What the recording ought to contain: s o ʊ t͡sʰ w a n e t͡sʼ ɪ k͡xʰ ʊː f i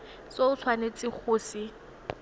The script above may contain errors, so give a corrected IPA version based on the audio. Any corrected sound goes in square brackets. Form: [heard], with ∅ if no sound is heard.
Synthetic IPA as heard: s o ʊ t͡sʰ w a n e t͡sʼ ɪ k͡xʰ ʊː [s] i